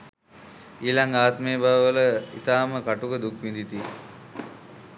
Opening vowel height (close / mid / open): close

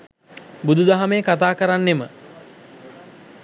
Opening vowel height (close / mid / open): close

